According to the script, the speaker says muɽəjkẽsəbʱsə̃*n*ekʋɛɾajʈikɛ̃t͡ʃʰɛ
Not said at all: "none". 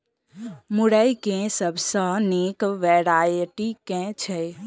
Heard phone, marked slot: n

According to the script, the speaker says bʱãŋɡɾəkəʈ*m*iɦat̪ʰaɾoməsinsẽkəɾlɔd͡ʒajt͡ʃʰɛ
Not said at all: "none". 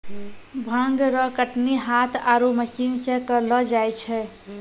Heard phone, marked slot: n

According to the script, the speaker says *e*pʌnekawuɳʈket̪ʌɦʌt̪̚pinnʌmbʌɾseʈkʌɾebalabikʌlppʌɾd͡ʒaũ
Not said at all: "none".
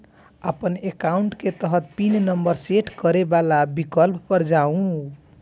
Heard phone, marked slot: a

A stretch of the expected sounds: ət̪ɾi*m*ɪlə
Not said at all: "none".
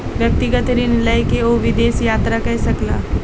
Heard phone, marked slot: n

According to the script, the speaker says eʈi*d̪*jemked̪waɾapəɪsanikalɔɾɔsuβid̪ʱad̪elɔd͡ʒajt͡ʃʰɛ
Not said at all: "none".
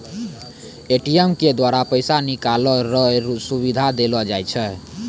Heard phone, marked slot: none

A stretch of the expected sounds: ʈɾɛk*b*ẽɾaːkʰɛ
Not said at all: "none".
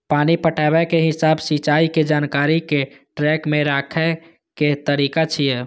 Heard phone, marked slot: m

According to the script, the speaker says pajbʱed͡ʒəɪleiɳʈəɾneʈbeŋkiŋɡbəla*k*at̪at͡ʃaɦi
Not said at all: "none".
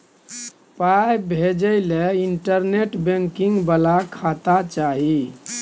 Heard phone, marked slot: kʰ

